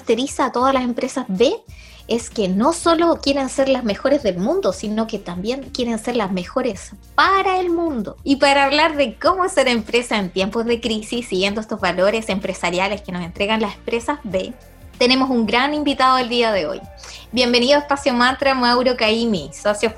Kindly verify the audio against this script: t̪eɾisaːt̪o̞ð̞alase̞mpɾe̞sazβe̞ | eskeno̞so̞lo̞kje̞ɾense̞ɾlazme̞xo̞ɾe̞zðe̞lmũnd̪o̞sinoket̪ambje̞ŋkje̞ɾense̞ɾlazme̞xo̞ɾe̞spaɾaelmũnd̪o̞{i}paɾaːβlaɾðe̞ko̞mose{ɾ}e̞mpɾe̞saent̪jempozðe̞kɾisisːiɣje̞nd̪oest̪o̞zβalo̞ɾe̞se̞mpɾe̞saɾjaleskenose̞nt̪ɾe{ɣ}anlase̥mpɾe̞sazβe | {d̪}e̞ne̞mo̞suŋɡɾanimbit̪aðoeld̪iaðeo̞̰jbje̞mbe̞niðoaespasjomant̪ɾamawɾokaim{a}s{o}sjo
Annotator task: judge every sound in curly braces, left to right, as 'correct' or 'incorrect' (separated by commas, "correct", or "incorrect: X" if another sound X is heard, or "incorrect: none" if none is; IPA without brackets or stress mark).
correct, correct, correct, incorrect: t̪, incorrect: i, correct